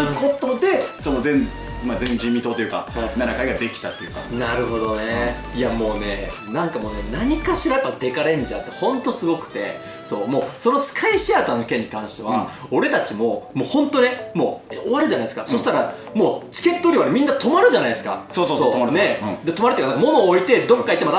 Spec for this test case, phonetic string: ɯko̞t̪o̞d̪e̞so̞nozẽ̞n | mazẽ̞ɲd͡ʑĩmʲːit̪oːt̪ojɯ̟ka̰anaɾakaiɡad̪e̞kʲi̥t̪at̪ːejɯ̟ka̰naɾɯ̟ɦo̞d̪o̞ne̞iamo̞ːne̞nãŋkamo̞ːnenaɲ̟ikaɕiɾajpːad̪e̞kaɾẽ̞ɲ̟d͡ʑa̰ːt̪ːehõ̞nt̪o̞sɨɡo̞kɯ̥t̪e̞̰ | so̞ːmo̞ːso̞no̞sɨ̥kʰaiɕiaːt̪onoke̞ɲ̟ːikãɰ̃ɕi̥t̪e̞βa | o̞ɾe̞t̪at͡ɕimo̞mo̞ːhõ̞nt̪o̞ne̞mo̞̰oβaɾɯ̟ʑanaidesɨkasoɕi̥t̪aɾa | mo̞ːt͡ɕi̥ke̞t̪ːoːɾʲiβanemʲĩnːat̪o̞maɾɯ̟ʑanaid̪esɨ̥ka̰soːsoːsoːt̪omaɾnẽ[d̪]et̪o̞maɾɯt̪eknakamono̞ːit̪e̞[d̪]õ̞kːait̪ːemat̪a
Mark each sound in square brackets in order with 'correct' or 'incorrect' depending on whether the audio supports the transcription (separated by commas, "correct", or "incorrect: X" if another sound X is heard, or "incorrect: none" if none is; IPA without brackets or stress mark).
correct, correct